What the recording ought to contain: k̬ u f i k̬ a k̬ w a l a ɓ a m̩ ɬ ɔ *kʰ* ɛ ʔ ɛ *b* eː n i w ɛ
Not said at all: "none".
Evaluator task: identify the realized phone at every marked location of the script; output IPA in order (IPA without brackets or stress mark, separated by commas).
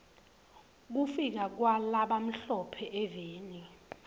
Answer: pʰ, v